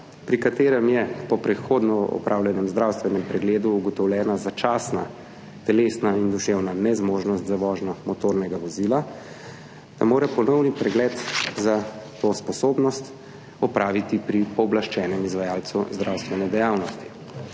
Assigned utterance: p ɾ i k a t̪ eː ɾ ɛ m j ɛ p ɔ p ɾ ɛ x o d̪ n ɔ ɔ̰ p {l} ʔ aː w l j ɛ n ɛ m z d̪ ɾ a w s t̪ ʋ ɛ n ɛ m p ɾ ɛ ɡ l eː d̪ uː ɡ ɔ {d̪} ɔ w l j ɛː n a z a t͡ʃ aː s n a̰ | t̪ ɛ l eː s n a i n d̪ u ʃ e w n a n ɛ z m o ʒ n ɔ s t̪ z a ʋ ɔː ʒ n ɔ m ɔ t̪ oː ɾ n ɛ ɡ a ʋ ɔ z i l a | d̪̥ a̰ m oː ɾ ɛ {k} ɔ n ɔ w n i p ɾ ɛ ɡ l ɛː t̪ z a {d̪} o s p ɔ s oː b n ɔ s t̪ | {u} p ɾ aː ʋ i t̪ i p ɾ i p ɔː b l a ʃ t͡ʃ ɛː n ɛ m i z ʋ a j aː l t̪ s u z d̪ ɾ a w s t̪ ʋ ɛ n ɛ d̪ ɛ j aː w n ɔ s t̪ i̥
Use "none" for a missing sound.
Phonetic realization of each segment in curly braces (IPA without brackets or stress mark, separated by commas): ɾ, t̪, p, t̪, ɔ